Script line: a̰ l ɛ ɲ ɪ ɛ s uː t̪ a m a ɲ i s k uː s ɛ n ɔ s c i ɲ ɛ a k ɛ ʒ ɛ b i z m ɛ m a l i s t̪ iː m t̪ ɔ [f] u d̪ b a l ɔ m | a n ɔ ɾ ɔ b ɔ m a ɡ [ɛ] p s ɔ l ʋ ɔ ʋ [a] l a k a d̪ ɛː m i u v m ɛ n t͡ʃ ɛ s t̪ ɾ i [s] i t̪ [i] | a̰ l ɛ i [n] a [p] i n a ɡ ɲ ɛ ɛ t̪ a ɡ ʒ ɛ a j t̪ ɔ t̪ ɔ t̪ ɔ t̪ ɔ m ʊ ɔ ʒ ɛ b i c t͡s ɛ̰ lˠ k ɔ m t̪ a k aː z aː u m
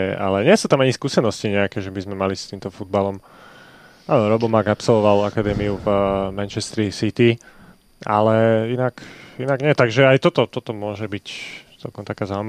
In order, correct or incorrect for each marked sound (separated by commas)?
correct, incorrect, correct, correct, correct, correct, incorrect